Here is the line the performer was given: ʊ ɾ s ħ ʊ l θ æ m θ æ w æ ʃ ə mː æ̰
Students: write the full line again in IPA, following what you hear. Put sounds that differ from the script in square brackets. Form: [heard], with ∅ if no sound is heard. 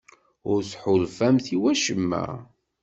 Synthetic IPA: ʊ ɾ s ħ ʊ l [f] æ m θ [i] w æ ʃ ə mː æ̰